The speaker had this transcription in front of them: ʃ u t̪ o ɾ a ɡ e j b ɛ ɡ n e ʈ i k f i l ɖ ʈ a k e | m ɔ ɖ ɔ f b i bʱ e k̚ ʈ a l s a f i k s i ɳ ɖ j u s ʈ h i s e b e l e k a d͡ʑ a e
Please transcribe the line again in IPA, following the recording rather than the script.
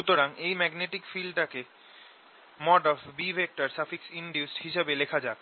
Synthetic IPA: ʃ u t̪ o ɾ a ŋ e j m ɛ ɡ n e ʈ i k f i l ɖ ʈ a k e | m ɔ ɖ ɔ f b i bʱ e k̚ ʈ a ɾ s a f i k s i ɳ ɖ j u s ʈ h i ʃ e b e l e kʰ a d͡ʑ a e

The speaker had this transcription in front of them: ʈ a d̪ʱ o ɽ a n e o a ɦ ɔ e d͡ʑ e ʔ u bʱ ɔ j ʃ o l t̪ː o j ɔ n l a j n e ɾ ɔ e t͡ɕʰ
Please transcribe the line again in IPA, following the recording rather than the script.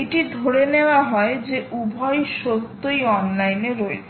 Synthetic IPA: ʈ i d̪ʱ o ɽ e n e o a ɦ ɔ e d͡ʑ e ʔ u bʱ ɔ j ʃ o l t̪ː o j ɔ n l a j n e ɾ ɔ e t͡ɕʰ

